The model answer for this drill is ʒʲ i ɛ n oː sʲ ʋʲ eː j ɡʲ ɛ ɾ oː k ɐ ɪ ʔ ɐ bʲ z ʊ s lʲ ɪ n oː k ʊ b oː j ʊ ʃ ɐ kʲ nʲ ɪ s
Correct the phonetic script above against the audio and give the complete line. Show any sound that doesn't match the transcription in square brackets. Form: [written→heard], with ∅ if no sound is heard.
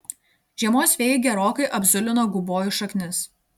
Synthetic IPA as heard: ʒʲ i ɛ [n→m] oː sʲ ʋʲ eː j ɡʲ ɛ ɾ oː k ɐ ɪ ʔ ɐ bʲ z ʊ [s→∅] lʲ ɪ n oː [k→ɡ] ʊ b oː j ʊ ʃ ɐ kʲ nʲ ɪ s